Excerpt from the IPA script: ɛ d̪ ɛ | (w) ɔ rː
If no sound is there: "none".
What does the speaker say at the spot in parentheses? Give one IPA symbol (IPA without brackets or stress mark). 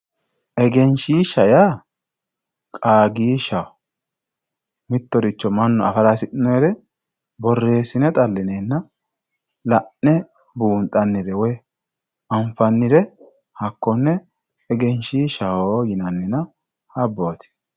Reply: b